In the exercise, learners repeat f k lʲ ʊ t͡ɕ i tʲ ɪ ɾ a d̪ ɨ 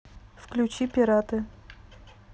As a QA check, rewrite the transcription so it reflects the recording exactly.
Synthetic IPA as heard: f k lʲ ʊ t͡ɕ i pʲ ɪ ɾ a t̪ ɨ